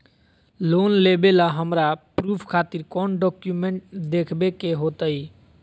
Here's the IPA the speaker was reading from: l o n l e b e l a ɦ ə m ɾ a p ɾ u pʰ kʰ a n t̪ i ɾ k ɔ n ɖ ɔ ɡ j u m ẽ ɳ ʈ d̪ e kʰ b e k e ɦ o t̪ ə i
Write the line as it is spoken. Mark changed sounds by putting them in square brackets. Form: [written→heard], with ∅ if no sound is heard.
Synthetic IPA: l o n l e b e l a ɦ ə m ɾ a p ɾ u pʰ kʰ a [n→∅] t̪ i ɾ k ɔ n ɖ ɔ [ɡ→k] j u m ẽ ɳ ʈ d̪ e kʰ b e k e ɦ o t̪ ə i